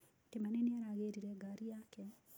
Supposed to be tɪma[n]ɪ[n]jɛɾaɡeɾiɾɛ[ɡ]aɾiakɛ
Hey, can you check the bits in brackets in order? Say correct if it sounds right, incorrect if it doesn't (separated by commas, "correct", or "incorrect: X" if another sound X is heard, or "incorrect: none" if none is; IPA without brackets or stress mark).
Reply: correct, correct, correct